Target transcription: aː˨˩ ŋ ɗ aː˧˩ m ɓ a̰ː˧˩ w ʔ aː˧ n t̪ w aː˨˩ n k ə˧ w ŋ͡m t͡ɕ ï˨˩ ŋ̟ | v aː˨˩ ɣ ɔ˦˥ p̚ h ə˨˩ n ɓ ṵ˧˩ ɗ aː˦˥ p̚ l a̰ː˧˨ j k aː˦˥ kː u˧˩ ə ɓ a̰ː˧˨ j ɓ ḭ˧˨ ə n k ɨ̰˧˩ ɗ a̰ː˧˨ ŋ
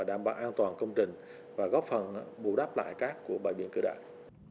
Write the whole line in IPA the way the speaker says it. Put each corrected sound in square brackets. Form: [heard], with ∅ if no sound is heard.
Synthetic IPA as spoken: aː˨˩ [∅] ɗ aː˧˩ m ɓ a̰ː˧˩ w ʔ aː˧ n t̪ w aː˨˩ n k ə˧ w ŋ͡m t͡ɕ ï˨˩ ŋ̟ | v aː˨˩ ɣ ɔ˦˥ p̚ [f] ə˨˩ n ɓ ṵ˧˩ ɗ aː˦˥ p̚ l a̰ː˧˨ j k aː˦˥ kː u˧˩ ə ɓ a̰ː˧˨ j ɓ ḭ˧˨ ə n k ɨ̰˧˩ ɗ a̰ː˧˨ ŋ